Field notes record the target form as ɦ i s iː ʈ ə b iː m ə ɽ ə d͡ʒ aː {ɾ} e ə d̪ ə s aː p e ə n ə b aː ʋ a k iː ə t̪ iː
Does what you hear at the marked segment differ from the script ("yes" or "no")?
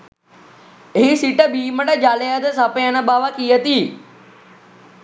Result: yes